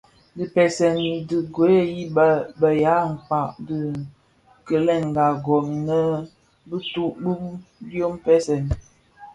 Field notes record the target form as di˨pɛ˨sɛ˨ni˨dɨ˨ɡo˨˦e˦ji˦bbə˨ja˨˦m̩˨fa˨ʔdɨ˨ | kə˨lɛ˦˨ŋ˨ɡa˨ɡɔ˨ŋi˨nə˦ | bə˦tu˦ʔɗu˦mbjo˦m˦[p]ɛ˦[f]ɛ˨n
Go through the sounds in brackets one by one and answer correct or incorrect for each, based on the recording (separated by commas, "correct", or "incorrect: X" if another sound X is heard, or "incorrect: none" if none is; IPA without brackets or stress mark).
correct, incorrect: s